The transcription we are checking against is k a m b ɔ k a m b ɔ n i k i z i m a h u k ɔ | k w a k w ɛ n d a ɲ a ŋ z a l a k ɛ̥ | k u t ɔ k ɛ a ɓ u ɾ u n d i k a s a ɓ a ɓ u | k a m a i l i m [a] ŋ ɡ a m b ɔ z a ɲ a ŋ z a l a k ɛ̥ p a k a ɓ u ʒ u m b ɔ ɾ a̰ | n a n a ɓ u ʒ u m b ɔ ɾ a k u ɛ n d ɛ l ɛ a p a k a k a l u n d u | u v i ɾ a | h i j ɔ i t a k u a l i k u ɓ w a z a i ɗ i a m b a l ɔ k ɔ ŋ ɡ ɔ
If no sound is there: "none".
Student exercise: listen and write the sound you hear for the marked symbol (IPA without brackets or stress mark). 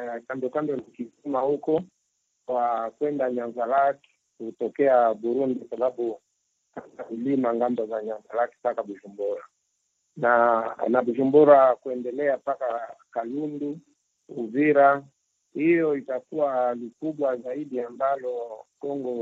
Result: a